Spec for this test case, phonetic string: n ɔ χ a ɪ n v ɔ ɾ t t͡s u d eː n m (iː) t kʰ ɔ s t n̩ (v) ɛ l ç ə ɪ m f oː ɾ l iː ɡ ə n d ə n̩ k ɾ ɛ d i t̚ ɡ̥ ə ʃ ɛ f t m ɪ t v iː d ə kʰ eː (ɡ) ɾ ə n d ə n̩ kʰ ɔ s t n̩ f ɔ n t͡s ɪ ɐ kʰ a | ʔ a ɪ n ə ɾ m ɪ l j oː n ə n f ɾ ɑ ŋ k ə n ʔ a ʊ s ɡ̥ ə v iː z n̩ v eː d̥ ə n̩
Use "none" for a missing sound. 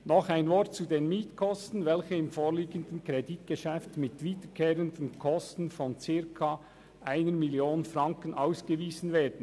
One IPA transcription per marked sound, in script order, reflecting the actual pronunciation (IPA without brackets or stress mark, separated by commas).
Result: iː, v, none